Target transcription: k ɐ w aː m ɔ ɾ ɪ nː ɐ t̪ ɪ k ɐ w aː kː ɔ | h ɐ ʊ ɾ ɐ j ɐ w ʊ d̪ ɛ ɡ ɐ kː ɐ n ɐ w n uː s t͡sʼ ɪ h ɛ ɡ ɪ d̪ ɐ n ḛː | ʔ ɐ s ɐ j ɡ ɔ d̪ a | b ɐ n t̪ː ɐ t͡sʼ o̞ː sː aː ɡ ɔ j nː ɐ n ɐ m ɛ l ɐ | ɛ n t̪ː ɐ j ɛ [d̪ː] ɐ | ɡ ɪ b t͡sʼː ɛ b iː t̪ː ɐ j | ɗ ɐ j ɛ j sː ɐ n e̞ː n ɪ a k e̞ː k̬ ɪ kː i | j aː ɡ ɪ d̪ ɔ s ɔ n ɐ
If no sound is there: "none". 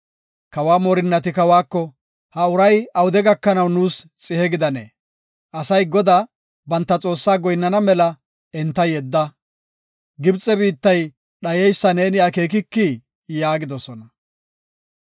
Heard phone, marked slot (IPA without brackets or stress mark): d̪ː